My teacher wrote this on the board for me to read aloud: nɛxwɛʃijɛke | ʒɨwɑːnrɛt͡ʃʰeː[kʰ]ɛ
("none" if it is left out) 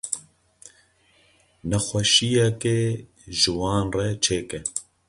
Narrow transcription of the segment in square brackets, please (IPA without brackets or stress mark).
k